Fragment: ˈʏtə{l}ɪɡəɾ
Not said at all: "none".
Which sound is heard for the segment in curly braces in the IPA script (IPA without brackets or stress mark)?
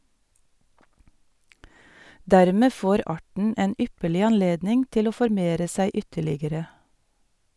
ɭ